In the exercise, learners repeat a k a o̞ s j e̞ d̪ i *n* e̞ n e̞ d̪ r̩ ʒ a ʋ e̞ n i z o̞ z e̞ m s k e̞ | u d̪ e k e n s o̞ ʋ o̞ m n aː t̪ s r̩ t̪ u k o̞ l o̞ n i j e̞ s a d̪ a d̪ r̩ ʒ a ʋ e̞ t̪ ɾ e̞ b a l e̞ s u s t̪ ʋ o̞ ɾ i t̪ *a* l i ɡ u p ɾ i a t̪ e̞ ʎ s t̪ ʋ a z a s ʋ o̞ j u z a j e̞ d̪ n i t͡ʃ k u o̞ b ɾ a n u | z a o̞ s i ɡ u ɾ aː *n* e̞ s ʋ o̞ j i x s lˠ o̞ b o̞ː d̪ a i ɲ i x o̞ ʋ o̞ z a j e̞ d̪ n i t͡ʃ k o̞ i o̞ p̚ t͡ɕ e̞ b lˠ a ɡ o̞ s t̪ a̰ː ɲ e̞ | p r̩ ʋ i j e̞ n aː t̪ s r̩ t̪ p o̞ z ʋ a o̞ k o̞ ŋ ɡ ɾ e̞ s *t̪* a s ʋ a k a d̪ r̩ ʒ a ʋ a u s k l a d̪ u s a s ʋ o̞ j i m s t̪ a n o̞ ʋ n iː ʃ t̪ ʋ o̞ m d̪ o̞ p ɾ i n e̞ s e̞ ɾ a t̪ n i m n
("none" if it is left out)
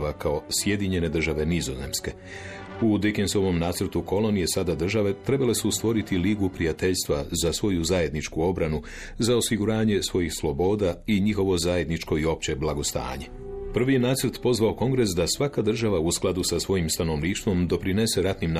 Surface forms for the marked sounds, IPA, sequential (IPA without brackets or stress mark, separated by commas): ɲ, i, ɲ, d̪